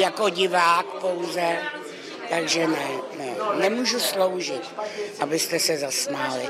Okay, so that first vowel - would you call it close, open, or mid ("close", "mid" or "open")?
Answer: open